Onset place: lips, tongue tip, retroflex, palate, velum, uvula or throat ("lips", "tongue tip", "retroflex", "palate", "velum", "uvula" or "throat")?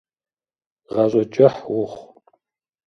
uvula